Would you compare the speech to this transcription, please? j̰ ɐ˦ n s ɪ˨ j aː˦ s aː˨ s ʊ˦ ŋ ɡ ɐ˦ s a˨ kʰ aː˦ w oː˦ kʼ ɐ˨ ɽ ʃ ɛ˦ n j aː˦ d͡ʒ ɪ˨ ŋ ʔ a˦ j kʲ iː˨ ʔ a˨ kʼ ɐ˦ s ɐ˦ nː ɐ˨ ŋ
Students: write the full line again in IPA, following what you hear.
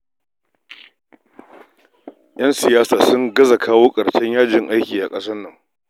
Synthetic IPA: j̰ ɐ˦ n s ɪ˨ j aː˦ s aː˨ s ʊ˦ ŋ ɡ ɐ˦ z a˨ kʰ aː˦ w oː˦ kʼ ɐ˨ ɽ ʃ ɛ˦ ɲ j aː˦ d͡ʒ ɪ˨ ŋ ʔ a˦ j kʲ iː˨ ʔ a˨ kʼ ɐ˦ s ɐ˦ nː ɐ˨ ŋ